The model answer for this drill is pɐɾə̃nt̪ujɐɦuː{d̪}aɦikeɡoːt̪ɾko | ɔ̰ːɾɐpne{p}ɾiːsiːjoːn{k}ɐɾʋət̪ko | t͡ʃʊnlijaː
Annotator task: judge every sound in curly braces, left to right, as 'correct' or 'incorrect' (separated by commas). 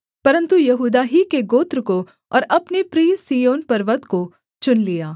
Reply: correct, correct, incorrect